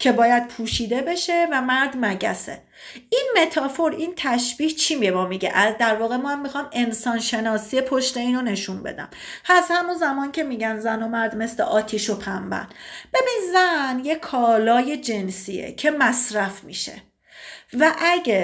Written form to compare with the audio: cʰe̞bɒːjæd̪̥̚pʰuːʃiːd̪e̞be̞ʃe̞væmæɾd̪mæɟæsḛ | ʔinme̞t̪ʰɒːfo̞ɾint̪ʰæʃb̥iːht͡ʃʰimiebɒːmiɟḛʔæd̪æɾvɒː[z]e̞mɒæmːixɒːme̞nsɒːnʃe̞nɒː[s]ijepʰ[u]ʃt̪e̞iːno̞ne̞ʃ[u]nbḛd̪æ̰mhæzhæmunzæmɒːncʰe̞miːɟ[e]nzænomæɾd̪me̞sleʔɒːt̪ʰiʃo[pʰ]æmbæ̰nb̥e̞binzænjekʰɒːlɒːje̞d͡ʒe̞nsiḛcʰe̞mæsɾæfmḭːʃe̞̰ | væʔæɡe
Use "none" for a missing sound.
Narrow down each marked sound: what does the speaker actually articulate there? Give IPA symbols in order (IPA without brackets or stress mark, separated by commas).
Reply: ɣ, s, o, u, æ, pʰ